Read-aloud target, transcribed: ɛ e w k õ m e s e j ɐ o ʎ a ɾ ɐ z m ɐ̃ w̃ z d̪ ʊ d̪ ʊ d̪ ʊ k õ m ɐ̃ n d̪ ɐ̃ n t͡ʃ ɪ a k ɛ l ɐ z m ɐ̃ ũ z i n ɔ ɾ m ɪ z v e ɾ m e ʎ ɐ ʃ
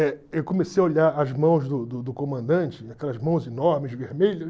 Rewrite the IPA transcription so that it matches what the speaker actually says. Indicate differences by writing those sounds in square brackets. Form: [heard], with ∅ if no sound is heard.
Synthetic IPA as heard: ɛ e w k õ m e s e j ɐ o ʎ a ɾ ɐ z m ɐ̃ w̃ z d̪ ʊ d̪ ʊ d̪ ʊ k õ m ɐ̃ n d̪ ɐ̃ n t͡ʃ ɪ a k ɛ l ɐ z m ɐ̃ [w̃] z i n ɔ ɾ m ɪ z v e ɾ m e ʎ ɐ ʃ